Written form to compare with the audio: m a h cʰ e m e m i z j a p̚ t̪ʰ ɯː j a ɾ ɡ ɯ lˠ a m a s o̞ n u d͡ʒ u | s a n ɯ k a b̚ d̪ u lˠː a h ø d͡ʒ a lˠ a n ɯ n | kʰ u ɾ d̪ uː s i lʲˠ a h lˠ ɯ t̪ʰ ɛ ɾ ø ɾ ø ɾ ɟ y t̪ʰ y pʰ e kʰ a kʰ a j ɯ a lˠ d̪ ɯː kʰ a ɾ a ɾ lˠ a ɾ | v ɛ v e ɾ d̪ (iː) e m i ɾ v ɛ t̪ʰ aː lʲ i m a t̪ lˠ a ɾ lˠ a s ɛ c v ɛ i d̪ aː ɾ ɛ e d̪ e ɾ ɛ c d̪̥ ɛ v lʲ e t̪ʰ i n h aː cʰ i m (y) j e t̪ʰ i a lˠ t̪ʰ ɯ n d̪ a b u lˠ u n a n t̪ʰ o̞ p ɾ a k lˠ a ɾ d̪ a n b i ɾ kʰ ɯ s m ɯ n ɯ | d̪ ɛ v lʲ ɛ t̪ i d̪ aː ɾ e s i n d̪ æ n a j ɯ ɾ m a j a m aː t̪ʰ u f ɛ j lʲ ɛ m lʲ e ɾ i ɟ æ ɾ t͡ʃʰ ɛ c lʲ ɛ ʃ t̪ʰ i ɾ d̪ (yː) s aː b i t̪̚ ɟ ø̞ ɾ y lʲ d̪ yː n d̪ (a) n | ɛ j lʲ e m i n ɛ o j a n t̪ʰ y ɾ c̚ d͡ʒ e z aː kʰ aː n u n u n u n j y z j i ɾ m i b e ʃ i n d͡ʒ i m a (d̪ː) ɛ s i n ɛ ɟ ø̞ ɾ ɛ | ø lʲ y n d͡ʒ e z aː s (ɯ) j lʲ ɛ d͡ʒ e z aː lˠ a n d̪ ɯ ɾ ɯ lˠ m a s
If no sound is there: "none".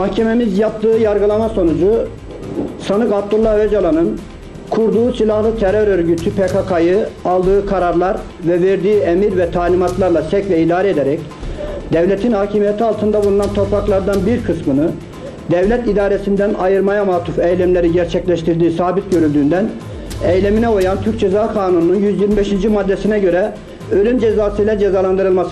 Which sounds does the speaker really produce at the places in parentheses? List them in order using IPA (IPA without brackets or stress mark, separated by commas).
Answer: iː, i, iː, æ, d̪ː, ɯ